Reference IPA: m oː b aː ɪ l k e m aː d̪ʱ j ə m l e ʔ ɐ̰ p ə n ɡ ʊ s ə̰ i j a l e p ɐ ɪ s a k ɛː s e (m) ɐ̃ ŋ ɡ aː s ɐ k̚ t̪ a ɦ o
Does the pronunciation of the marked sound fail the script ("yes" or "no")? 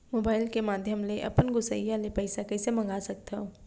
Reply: no